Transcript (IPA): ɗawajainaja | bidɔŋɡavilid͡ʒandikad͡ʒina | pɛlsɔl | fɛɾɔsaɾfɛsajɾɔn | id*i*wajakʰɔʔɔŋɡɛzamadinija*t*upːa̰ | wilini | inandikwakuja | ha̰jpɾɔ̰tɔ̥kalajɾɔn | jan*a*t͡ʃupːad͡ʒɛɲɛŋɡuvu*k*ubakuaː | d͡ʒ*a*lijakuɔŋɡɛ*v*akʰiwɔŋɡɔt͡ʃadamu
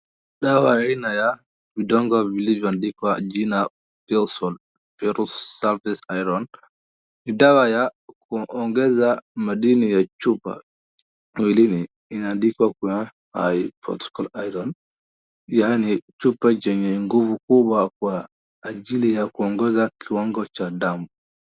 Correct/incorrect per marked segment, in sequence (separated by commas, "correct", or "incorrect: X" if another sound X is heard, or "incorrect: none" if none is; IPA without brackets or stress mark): incorrect: a, incorrect: t͡ʃ, incorrect: i, correct, incorrect: i, incorrect: z